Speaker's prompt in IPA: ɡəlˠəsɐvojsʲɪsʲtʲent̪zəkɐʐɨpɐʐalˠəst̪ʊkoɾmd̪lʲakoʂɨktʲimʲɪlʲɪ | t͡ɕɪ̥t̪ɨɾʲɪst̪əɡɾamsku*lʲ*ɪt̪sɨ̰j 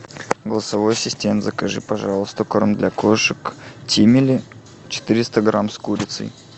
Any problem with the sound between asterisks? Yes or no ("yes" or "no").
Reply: yes